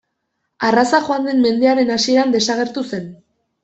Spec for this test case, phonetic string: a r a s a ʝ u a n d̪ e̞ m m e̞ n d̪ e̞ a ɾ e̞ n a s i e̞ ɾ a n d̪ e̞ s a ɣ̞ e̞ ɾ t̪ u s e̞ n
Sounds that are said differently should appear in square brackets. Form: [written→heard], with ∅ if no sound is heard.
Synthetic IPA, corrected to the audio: a r a s a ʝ [u→o] a n d̪ e̞ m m e̞ n d̪ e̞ a ɾ e̞ n a s i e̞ ɾ a n d̪ e̞ s a ɣ̞ e̞ ɾ t̪ u s e̞ n